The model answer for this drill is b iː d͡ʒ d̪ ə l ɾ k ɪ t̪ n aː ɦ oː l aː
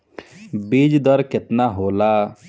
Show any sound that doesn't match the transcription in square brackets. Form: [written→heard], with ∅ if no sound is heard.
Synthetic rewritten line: b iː d͡ʒ d̪ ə [l→∅] ɾ k ɪ t̪ n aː ɦ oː l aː

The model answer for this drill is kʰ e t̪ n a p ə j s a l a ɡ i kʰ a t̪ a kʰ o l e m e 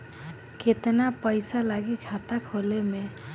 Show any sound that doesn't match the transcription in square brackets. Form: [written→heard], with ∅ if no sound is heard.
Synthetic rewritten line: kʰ e t̪ n a p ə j s a l a ɡ i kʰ a t̪ a kʰ o l e m e

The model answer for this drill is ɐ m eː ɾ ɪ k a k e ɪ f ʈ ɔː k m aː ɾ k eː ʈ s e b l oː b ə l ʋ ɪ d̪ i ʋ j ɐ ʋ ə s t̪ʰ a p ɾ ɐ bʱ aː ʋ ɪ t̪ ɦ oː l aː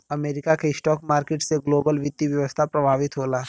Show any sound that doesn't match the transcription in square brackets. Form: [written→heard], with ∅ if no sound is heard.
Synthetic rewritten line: ɐ m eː ɾ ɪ k a k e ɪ [f→s] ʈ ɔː k m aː ɾ k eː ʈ s e [b→ɡ] l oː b ə l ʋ ɪ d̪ i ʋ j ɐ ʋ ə s t̪ʰ a p ɾ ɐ bʱ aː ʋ ɪ t̪ ɦ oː l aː

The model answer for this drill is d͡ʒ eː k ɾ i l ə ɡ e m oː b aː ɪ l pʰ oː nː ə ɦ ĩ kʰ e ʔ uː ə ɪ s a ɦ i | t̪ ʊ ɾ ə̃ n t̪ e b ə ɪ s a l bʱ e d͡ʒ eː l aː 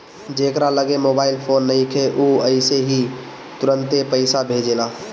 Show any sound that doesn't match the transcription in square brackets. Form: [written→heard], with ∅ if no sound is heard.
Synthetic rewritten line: d͡ʒ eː k ɾ [i→a] l ə ɡ e m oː b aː ɪ l pʰ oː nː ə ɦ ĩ kʰ e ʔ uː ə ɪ s [a→e] ɦ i | t̪ ʊ ɾ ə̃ n t̪ e [b→p] ə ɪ s a [l→∅] bʱ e d͡ʒ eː l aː

